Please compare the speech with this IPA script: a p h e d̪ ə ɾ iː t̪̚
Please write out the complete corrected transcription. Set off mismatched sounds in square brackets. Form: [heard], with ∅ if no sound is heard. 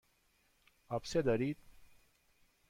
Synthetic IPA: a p [s] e d̪ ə ɾ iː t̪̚